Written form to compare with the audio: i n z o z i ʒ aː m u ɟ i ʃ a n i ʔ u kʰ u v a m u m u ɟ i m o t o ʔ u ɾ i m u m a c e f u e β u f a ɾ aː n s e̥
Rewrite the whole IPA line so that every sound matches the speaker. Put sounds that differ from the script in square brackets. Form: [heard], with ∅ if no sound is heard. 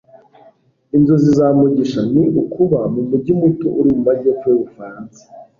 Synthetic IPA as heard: i n z o z i [z] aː m u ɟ i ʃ a n i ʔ u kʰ u [β] a m u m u ɟ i m [u] t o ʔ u ɾ i m u m a [ɟ] e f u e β u f a ɾ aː n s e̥